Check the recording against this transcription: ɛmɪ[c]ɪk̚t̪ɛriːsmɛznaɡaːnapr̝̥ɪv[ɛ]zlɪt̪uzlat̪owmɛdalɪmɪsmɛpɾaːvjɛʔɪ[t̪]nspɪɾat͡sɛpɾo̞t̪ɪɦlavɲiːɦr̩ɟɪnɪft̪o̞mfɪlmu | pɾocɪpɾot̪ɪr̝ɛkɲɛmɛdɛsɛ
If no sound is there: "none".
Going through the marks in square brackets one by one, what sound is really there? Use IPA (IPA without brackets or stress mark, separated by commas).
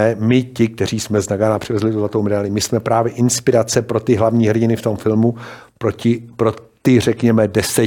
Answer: c, ɛ, none